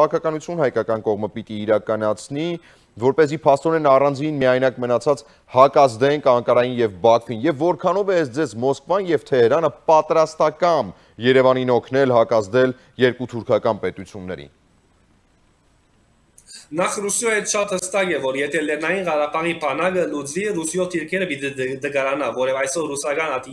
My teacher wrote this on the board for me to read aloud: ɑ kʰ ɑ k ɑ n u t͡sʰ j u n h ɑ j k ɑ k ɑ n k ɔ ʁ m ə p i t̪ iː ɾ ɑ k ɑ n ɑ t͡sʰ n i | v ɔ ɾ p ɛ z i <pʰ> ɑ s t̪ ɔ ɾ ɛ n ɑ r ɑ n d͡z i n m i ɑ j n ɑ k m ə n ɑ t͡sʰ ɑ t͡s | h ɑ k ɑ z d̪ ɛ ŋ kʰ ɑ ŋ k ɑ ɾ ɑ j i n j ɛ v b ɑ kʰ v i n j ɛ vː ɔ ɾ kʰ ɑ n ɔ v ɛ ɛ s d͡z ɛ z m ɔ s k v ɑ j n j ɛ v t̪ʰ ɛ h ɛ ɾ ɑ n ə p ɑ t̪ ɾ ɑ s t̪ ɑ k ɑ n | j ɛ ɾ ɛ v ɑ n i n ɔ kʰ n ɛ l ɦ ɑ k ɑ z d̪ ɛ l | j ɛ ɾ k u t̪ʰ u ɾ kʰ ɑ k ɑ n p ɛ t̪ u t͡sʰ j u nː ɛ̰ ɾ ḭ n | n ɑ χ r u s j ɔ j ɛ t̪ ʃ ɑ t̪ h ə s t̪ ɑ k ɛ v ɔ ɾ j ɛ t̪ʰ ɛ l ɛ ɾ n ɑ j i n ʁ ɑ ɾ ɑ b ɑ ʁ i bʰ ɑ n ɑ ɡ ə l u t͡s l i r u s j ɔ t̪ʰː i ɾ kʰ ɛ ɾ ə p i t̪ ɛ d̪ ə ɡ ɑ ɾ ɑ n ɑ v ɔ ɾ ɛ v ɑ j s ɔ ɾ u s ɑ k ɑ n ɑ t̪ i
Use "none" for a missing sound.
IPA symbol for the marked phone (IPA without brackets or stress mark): pʰ